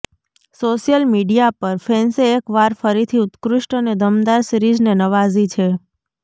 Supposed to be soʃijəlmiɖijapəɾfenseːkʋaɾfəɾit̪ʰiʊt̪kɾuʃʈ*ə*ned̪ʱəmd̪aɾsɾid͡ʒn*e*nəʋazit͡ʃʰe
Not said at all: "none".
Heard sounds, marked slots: ə, e

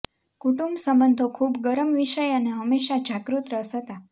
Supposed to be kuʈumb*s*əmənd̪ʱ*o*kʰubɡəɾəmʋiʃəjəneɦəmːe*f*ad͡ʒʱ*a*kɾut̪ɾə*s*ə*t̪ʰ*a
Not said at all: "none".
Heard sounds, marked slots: s, o, ʃ, a, s, t̪

